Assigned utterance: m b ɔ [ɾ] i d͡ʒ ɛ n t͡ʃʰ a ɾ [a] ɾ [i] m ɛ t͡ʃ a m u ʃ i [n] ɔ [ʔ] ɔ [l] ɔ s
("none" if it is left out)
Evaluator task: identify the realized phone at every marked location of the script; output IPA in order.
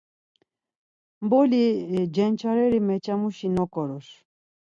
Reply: l, ɛ, i, n, k, ɾ

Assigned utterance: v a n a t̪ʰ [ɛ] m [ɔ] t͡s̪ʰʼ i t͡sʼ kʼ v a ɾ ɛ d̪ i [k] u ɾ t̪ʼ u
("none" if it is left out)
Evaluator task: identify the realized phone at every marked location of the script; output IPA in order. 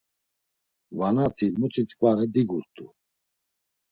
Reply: i, u, ɡ

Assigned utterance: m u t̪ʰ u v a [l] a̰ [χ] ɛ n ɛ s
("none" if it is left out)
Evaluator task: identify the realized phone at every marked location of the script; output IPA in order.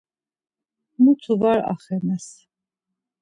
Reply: ɾ, χ

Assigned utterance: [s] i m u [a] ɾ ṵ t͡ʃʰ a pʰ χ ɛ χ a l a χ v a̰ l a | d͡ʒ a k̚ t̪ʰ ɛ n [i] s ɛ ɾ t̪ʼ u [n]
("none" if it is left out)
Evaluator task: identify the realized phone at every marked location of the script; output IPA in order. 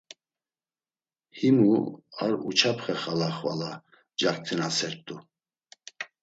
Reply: h, a, a, none

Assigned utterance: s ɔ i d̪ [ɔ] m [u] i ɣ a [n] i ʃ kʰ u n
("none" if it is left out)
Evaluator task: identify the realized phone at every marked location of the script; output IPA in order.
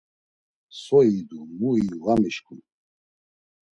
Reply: u, u, m

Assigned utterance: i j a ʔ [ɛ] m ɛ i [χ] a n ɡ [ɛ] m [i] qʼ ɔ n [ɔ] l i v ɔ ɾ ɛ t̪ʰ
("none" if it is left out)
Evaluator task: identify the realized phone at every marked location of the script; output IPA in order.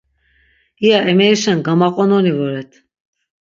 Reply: ɛ, ʃ, a, a, ɔ

